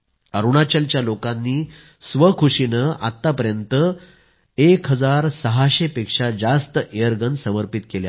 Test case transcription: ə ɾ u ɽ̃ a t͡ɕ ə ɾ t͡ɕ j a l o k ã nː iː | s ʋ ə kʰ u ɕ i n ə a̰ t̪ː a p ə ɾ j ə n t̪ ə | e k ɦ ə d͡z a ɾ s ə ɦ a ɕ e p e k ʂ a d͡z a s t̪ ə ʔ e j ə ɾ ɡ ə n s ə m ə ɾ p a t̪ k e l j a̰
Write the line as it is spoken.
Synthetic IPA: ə ɾ u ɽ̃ a t͡ɕ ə l t͡ɕ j a l o k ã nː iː | s ʋ ə kʰ u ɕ i n ə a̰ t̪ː a p ə ɾ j ə n t̪ ə | e k ɦ ə d͡z a ɾ s ə ɦ a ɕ e p e k ʂ a d͡z a s t̪ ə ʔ e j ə ɾ ɡ ə n s ə m ə ɾ p i t̪ k e l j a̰